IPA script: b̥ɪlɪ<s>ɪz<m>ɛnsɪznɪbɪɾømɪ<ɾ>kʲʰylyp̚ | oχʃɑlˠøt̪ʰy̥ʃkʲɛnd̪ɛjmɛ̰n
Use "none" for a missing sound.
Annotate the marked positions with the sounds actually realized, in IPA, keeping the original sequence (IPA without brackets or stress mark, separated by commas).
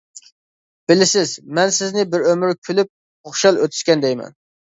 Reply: s, m, ɾ